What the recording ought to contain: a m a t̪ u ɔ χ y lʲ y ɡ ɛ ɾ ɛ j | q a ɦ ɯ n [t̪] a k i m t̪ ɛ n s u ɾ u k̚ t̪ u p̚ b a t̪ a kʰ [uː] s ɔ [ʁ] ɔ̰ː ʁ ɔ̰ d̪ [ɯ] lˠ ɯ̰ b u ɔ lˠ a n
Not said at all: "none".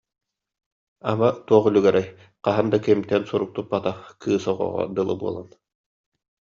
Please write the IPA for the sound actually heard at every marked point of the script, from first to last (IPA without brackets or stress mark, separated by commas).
d̪, ɯː, ʁ, ɯ